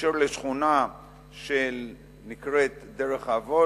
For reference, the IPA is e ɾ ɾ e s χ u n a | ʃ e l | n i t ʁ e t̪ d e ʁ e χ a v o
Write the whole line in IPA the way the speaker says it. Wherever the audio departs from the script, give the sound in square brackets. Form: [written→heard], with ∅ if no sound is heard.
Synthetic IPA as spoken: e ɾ [ɾ→l] e [s→ʃ] χ u n a | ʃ e l | n i [t→k] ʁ e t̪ d e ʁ e χ a v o